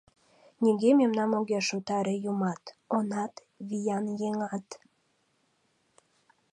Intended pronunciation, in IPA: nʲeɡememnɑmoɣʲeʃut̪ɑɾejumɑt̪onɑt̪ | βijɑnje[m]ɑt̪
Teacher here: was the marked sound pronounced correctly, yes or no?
no